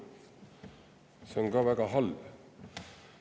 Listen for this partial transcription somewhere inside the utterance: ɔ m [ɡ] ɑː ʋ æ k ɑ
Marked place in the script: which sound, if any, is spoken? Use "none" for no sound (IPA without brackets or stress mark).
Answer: ɡ